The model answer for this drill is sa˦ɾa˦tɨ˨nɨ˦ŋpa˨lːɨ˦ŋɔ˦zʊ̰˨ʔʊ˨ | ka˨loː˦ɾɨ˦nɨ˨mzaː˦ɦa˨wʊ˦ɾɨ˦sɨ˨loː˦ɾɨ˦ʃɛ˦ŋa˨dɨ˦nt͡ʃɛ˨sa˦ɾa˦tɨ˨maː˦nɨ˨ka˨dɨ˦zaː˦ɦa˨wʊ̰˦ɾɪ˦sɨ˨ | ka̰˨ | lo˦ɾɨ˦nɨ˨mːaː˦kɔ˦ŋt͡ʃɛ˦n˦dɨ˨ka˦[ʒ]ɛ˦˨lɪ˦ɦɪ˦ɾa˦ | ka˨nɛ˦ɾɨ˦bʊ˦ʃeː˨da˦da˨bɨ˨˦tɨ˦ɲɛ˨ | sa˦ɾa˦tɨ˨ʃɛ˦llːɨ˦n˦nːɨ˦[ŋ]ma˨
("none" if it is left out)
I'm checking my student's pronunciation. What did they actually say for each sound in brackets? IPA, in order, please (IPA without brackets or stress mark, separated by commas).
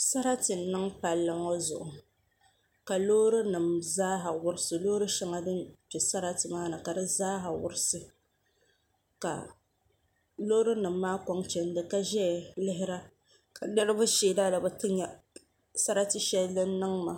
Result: ʒ, ŋ